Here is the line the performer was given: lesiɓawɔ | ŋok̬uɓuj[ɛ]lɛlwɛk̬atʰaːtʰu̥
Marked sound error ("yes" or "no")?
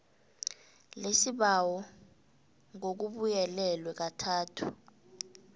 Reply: no